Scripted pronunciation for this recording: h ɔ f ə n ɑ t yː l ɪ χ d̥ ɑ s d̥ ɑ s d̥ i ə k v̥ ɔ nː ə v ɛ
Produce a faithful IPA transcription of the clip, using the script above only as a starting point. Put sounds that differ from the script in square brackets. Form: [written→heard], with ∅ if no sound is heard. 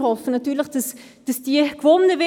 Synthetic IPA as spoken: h ɔ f ə n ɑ t yː l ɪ χ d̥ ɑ s d̥ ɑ s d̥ i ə k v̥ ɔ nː ə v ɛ